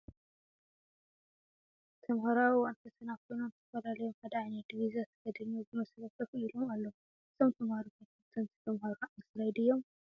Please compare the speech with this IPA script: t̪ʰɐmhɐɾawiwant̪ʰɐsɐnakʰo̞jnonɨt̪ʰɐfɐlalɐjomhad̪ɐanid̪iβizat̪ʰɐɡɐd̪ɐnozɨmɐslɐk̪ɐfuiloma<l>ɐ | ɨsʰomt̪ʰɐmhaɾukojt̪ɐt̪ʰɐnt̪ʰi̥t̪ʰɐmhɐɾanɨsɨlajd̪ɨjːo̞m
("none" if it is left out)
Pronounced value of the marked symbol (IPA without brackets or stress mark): lː